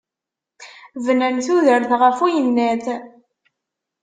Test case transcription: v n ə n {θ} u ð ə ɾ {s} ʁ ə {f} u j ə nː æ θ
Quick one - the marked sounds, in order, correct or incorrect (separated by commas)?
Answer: correct, incorrect, correct